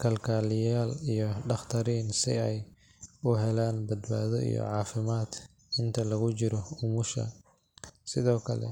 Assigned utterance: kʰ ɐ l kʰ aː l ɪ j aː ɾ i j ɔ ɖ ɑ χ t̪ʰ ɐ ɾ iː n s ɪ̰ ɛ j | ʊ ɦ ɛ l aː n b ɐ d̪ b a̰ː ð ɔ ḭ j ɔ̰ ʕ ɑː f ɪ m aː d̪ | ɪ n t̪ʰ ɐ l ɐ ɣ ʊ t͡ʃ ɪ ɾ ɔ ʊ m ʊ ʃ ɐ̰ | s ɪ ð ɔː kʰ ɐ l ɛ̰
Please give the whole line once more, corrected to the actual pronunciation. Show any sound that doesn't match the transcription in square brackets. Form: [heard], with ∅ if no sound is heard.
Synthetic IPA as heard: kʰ ɐ l kʰ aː l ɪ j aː [l] i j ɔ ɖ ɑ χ t̪ʰ ɐ ɾ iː n s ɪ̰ ɛ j | ʊ ɦ ɛ l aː n b ɐ d̪ b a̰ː ð ɔ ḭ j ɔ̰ ʕ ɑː f ɪ m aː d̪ | ɪ n t̪ʰ ɐ l ɐ ɣ ʊ t͡ʃ ɪ ɾ ɔ ʊ m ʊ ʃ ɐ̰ | s ɪ ð ɔː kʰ ɐ l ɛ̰